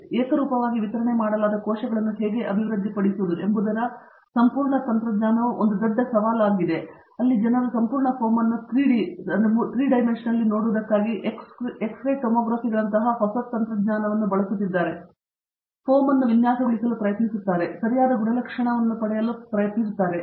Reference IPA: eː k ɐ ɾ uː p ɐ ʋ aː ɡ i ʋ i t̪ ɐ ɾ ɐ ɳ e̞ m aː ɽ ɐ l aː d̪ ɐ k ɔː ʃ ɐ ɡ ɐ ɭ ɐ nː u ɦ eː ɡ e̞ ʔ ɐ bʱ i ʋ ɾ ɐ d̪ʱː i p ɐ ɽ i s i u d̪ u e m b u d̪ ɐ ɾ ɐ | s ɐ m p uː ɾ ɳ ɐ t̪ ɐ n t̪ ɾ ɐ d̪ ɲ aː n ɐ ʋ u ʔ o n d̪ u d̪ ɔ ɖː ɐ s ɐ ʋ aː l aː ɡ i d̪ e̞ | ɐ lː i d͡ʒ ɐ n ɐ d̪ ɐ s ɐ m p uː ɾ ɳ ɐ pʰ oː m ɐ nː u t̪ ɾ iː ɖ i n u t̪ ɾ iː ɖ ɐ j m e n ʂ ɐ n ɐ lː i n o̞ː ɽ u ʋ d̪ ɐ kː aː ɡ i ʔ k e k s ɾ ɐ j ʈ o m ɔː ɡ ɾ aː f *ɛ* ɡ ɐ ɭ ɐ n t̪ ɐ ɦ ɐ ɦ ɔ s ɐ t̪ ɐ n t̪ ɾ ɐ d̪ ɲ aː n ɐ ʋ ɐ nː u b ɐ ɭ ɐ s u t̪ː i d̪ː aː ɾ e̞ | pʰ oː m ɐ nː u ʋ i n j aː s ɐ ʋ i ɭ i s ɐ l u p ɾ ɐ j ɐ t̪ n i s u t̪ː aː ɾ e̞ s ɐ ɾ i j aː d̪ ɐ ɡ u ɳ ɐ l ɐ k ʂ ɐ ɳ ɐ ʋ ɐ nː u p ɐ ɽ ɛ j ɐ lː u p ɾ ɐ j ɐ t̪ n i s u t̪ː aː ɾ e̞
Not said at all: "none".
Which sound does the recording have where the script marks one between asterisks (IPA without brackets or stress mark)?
i